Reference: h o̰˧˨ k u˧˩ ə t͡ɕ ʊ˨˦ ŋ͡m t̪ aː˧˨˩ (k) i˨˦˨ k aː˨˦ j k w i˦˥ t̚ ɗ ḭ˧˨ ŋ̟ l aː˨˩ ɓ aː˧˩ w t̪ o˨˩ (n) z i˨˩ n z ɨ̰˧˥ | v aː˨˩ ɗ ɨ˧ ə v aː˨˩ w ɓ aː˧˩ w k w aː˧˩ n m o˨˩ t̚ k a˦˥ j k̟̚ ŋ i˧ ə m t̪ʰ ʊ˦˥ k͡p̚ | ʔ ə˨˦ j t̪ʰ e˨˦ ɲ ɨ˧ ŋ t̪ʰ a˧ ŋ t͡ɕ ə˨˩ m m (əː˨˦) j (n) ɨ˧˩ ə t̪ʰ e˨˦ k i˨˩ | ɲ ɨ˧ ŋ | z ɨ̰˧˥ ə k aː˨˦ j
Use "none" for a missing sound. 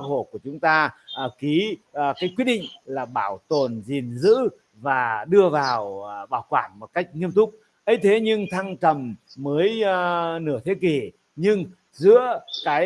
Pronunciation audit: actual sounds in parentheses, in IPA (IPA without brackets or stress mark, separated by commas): k, n, əː˨˦, n